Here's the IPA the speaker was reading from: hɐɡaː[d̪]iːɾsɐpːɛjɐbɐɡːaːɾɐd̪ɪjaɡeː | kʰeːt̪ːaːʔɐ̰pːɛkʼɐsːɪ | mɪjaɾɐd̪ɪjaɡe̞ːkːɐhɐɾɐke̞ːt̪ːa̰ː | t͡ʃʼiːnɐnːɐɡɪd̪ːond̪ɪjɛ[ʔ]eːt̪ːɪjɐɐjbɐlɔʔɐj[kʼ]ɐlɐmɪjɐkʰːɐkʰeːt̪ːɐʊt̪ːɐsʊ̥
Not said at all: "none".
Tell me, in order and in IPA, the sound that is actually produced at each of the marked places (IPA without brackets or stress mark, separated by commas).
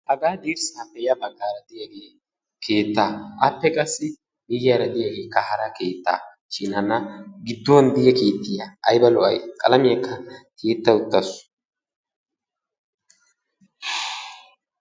d̪, k, kʼ